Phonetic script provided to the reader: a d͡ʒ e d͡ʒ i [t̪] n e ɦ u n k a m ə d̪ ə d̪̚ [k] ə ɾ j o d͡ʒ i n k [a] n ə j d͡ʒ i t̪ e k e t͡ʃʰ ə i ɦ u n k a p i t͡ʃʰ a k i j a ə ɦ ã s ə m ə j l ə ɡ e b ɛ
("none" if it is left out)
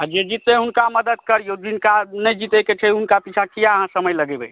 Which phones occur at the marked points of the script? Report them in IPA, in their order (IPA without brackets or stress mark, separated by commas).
t̪, k, a